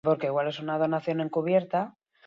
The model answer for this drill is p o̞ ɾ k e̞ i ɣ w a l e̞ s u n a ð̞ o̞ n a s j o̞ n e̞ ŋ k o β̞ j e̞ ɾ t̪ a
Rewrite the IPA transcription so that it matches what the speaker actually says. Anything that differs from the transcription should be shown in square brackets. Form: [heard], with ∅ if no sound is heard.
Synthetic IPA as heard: p o̞ ɾ k e̞ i ɣ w a l e̞ s u n a ð̞ o̞ n a [θ] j o̞ n e̞ ŋ k [u] β̞ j e̞ ɾ t̪ a

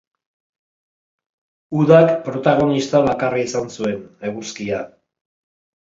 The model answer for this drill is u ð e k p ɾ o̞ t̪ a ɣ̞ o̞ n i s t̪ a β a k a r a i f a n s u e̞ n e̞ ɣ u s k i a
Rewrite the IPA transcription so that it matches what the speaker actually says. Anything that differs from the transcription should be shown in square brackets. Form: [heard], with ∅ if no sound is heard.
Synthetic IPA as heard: u ð [a] k p ɾ o̞ t̪ a ɣ̞ o̞ n i s t̪ a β a k a r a i [s] a n s u e̞ n e̞ ɣ u s k i a

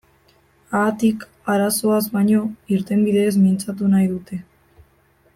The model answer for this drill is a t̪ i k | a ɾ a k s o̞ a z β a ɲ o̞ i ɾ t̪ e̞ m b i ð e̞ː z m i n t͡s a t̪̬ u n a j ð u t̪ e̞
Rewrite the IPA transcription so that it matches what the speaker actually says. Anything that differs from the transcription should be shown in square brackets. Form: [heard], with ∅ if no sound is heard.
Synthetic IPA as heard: a t̪ i k | a ɾ a [∅] s o̞ a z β a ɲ o̞ i ɾ t̪ e̞ m b i ð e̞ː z m i n t͡s a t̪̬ u n a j ð u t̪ e̞

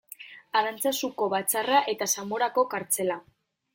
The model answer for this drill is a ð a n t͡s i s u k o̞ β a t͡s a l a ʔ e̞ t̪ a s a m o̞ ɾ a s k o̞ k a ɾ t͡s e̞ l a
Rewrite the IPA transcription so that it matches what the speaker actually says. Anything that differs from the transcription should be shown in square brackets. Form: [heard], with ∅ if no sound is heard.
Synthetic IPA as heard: a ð a n t͡s [a] s u k o̞ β a t͡s a [r] a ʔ e̞ t̪ a s a m o̞ ɾ a [∅] k o̞ k a ɾ t͡s e̞ l a

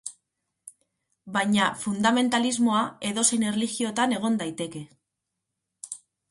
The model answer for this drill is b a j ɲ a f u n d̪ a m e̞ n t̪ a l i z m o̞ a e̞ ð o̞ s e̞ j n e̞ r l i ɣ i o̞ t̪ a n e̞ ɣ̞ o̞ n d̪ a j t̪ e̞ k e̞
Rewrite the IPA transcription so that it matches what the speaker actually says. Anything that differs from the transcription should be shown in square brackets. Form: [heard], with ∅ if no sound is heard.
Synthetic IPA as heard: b a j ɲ a f u n d̪ a m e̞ n t̪ a l i z m o̞ a e̞ ð o̞ s e̞ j n e̞ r l i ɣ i o̞ t̪ a n e̞ ɣ̞ o̞ n d̪ a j t̪ e̞ k e̞

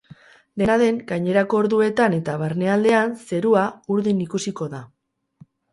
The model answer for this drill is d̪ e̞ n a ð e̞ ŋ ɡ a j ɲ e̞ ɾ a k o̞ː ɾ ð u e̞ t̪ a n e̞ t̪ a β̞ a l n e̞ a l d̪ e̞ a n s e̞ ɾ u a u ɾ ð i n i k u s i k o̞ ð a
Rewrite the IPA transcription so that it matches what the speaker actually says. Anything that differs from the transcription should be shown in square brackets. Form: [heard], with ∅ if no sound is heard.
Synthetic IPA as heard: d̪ e̞ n a ð e̞ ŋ ɡ a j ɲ e̞ ɾ a k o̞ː ɾ ð u e̞ t̪ a n e̞ t̪ a β̞ a [ɾ] n e̞ a l d̪ e̞ a n s e̞ ɾ u a u ɾ ð i n i k u s i k o̞ ð a

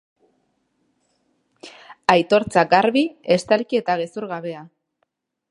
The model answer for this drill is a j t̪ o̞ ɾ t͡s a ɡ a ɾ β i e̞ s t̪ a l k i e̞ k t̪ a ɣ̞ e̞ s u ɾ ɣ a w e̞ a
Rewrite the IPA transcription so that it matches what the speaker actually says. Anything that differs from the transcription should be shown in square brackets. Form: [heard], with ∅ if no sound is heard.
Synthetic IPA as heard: a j t̪ o̞ ɾ t͡s a ɡ a ɾ β i e̞ s t̪ a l k i e̞ [∅] t̪ a ɣ̞ e̞ s u ɾ ɣ a [β] e̞ a

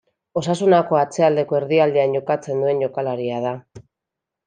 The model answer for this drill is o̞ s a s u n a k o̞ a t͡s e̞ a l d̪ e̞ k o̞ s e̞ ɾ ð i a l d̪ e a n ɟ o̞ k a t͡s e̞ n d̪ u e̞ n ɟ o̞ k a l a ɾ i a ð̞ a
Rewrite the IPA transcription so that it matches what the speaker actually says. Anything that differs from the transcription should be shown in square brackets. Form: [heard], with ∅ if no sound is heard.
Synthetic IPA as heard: o̞ s a s u n a k o̞ a t͡s e̞ a l d̪ e̞ k o̞ [∅] e̞ ɾ ð i a l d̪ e a n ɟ o̞ k a t͡s e̞ n d̪ u e̞ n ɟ o̞ k a l a ɾ i a ð̞ a

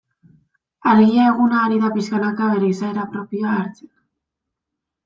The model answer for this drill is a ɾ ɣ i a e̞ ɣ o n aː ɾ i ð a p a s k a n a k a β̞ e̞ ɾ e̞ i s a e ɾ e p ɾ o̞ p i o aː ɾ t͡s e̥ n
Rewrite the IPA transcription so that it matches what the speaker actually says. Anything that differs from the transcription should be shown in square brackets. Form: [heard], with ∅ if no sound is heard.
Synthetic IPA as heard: a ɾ ɣ i a e̞ ɣ [u] n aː ɾ i ð a p [i] s k a n a k a β̞ e̞ ɾ e̞ i s a e ɾ [a] p ɾ o̞ p i o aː ɾ t͡s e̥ n

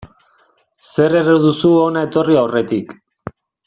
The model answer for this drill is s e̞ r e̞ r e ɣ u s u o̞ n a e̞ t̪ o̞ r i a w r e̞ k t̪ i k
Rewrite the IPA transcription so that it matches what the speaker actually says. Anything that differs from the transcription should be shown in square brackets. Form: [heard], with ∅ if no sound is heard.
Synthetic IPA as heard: s e̞ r e̞ r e [ð] u s u o̞ n a e̞ t̪ o̞ r i a w r e̞ [∅] t̪ i k

